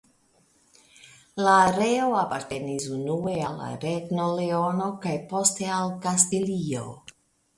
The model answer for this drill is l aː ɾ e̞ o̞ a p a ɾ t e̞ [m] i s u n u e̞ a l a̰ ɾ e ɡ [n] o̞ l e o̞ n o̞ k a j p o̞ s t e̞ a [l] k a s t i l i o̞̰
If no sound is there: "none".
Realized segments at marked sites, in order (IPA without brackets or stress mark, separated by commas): n, n, l